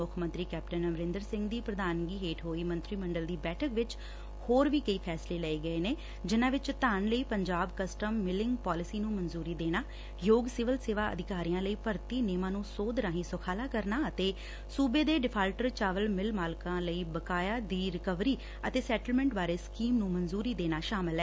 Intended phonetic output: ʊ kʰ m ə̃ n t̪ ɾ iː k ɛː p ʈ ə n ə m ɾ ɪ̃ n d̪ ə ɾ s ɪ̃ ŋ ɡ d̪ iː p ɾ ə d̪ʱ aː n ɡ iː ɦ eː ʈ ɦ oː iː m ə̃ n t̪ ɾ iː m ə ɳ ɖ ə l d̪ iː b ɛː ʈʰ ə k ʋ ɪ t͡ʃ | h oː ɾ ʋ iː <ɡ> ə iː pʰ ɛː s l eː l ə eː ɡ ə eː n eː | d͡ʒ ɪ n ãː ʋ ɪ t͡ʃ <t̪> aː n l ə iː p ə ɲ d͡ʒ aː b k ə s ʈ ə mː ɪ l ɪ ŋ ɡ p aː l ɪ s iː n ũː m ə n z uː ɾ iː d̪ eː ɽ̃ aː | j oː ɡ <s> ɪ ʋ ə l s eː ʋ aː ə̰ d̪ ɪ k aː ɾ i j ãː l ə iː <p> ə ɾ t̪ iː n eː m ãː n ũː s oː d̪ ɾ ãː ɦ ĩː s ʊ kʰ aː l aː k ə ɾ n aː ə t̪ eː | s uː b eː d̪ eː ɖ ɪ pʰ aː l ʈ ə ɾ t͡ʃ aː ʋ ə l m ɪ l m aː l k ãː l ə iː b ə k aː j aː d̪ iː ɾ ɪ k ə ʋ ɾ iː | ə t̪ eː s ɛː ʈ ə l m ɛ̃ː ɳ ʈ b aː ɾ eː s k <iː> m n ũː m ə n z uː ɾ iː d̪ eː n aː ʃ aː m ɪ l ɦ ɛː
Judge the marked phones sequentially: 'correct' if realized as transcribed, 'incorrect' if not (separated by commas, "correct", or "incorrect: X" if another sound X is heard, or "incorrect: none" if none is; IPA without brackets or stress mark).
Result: incorrect: k, correct, correct, correct, correct